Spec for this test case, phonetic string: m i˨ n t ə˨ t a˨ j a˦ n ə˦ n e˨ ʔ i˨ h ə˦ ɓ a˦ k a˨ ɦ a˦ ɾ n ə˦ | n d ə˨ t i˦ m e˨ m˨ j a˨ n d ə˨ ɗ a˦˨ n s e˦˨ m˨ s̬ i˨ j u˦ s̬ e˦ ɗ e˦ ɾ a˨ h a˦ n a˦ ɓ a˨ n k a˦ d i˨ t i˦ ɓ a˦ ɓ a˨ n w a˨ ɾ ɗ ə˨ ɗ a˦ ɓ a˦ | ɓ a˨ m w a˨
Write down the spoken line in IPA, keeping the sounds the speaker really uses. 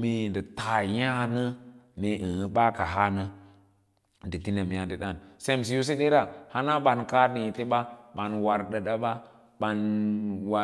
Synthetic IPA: m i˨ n d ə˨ t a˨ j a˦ n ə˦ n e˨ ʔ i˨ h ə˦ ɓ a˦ k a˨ ɦ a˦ n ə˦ | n d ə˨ t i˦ n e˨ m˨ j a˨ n d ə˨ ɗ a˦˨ n s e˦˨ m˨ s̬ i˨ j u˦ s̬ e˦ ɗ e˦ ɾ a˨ h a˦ n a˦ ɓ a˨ n k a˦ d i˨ t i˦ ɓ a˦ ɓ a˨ n w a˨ ɾ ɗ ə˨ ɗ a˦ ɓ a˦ | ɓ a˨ n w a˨